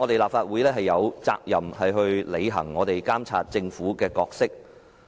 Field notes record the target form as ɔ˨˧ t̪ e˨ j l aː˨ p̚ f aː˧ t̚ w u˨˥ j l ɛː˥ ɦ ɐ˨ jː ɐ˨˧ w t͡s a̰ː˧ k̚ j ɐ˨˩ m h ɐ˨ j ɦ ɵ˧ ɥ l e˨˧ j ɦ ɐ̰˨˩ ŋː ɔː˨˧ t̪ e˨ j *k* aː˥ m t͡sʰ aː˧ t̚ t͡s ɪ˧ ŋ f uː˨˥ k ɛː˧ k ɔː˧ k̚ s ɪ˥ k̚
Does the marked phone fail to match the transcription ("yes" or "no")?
no